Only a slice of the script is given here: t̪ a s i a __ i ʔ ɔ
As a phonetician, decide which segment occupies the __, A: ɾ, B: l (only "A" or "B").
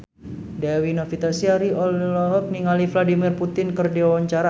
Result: A